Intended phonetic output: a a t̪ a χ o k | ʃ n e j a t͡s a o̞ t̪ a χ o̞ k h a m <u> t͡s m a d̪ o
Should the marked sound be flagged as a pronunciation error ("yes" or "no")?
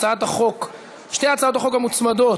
no